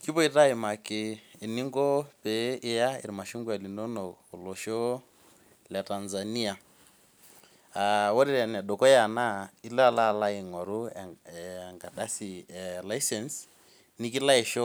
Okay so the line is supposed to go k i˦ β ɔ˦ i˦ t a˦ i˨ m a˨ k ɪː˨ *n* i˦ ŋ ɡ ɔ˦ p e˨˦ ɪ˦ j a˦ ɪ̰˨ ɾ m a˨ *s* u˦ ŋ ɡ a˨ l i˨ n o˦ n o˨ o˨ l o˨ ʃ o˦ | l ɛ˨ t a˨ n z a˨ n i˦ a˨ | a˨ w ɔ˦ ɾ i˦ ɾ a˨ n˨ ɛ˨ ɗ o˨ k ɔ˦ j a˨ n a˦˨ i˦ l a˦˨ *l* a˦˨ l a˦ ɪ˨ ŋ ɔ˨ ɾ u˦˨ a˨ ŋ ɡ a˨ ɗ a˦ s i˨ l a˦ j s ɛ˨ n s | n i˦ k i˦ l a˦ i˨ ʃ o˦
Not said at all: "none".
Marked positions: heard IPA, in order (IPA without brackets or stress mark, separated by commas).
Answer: n, ʃ, l